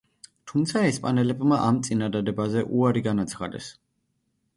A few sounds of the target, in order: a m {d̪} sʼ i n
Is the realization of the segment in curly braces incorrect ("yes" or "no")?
yes